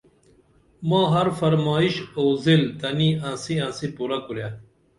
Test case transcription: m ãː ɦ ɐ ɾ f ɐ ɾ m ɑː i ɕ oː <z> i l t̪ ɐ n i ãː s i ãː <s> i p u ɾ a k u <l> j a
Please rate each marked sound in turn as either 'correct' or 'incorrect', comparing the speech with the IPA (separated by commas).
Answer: correct, correct, incorrect